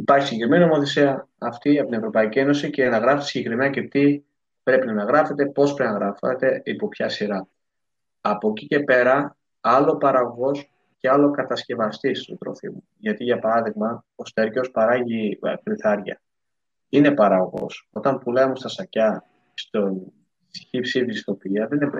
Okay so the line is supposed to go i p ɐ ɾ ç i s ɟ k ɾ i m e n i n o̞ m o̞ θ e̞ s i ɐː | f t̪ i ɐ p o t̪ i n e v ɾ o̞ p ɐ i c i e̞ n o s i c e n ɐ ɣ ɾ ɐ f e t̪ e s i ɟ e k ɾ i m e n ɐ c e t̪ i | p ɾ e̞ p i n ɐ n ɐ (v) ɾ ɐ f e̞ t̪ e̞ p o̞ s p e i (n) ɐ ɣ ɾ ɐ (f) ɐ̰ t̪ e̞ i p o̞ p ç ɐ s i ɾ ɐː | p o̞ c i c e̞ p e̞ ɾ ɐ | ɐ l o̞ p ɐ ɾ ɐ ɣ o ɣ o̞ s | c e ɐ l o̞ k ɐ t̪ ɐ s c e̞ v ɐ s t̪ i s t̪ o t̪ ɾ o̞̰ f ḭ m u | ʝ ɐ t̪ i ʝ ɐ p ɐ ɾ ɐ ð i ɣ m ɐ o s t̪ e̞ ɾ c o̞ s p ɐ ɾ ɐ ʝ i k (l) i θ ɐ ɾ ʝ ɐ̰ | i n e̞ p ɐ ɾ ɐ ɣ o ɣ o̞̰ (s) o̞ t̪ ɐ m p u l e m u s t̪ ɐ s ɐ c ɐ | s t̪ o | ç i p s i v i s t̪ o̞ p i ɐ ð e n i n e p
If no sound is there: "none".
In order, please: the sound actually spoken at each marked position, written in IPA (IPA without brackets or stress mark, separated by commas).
ɣ, n, f, ɾ, s